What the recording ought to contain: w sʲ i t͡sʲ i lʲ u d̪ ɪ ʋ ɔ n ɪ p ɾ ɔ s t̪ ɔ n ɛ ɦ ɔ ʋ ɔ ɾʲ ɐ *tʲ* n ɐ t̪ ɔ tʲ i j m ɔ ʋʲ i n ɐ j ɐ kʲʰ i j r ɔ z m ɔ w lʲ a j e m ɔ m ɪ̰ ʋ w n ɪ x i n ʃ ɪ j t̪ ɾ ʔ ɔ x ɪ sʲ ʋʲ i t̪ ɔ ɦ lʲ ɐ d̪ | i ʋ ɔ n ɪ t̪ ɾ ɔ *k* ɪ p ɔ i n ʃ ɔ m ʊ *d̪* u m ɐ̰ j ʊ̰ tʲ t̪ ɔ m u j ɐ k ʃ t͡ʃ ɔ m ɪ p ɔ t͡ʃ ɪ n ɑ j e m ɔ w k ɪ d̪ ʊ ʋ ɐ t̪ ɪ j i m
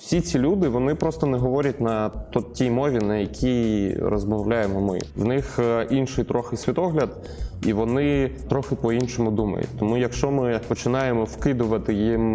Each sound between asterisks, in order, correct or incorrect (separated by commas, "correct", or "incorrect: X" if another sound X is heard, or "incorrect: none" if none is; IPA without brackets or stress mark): correct, incorrect: x, correct